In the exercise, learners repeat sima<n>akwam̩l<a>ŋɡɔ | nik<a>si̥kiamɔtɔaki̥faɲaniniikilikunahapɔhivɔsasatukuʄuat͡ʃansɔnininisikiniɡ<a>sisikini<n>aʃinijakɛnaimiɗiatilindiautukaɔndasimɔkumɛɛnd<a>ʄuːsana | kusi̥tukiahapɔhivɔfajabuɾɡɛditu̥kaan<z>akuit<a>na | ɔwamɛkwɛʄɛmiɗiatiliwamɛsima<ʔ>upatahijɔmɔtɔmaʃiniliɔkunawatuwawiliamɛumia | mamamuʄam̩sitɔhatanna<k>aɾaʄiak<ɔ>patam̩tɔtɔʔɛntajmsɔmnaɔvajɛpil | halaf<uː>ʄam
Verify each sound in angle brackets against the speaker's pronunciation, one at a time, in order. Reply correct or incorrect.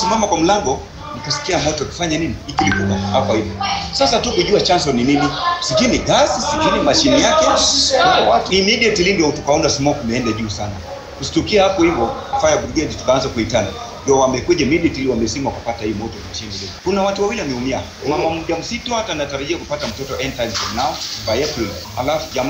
incorrect, correct, correct, correct, incorrect, correct, correct, correct, incorrect, incorrect, incorrect, incorrect

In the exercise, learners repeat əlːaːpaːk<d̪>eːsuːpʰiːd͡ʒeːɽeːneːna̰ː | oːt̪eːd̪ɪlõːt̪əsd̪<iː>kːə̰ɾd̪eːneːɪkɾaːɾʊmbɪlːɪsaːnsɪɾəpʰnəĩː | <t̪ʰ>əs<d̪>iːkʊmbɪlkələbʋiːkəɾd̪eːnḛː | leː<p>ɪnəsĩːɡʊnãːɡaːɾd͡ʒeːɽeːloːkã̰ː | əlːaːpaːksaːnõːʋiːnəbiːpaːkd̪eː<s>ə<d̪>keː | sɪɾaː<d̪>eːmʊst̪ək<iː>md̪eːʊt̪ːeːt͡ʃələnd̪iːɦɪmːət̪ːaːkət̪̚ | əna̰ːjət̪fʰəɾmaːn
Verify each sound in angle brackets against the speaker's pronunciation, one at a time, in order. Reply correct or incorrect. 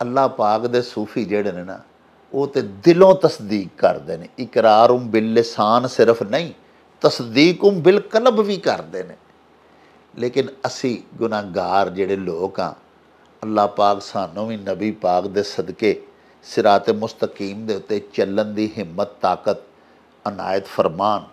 correct, correct, incorrect, correct, incorrect, correct, correct, incorrect, correct

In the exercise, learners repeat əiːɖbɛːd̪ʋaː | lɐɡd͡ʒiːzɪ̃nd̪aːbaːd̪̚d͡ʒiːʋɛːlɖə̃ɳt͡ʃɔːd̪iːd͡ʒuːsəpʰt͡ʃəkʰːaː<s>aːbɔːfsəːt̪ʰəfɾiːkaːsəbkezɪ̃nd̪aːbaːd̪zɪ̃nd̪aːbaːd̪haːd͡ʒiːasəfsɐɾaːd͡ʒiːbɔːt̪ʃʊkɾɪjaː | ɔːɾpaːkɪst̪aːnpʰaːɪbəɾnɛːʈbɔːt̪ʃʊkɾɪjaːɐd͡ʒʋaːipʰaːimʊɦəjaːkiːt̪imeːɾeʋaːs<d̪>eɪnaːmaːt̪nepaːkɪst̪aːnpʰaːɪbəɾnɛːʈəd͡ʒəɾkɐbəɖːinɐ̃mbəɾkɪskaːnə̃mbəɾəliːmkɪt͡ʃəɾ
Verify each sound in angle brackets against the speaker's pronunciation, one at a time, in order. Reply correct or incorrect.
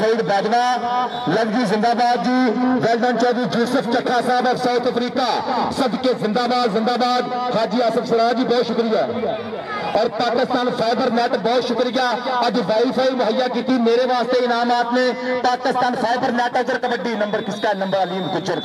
correct, incorrect

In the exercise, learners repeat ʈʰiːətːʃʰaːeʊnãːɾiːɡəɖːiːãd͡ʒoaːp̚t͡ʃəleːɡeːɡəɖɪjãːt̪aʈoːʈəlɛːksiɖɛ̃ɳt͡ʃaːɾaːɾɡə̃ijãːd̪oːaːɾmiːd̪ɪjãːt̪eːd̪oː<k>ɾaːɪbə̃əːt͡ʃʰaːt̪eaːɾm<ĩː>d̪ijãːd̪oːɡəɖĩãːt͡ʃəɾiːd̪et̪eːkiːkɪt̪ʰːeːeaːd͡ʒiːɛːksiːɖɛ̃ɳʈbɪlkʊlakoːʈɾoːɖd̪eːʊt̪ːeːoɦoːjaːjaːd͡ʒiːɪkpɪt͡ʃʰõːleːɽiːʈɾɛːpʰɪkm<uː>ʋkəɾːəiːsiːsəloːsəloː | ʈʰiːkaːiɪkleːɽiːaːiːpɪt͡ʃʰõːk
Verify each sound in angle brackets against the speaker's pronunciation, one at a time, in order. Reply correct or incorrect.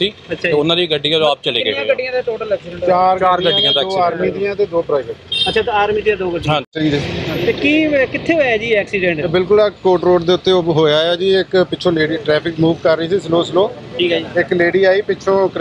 incorrect, incorrect, correct

